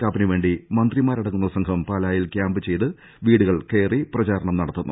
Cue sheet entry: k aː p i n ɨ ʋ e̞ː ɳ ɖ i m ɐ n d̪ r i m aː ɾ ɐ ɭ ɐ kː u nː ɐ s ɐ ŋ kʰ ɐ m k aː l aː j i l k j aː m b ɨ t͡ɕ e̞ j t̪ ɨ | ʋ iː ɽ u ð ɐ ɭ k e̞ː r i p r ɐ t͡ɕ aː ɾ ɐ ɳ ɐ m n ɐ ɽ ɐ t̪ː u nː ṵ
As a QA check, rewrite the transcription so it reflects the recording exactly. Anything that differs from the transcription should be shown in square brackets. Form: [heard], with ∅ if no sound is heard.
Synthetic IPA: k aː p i n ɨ ʋ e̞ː ɳ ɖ i m ɐ n d̪ r i m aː ɾ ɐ [ɽ] ɐ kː u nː ɐ s ɐ ŋ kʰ ɐ m [p] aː l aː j i l k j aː m b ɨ t͡ɕ e̞ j t̪ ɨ | ʋ iː ɽ u [ɣ] ɐ ɭ k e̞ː r i p r ɐ t͡ɕ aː ɾ ɐ ɳ ɐ m n ɐ ɽ ɐ t̪ː u nː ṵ